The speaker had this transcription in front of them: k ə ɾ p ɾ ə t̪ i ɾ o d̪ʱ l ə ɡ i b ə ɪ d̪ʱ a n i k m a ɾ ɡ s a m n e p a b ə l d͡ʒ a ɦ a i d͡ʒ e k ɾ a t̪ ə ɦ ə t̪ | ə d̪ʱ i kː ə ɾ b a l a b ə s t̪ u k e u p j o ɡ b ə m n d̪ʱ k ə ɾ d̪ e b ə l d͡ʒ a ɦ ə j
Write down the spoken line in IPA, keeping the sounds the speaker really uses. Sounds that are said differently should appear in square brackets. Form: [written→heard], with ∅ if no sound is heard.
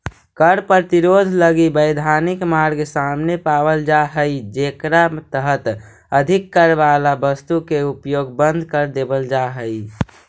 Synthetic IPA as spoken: k ə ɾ p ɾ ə t̪ i ɾ o d̪ʱ l ə ɡ i b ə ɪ d̪ʱ a n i k m a ɾ ɡ s a m n e p a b ə l d͡ʒ a ɦ [a→ə] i d͡ʒ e k ɾ a t̪ ə ɦ ə t̪ | ə d̪ʱ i kː ə ɾ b a l a b ə s t̪ u k e u p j o ɡ b ə [m→∅] n d̪ʱ k ə ɾ d̪ e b ə l d͡ʒ a ɦ ə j